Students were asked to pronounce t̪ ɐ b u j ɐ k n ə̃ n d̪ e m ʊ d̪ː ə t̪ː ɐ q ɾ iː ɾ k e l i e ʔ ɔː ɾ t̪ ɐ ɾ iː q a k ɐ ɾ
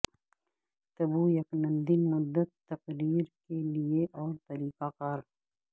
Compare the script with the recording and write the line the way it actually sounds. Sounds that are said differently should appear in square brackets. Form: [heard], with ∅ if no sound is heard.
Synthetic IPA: t̪ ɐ b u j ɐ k n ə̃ n d̪ [i] m ʊ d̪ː ə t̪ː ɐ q ɾ iː ɾ k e l i e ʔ ɔː ɾ t̪ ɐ ɾ iː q a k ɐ ɾ